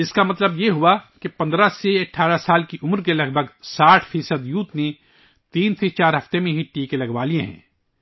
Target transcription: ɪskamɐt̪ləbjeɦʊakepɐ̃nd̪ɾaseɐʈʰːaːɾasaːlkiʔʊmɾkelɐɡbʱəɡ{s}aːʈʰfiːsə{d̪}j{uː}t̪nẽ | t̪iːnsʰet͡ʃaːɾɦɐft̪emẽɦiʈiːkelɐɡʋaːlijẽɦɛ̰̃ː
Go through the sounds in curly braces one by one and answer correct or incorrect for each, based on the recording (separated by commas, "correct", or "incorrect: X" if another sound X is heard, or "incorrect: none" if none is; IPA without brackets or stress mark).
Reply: correct, correct, correct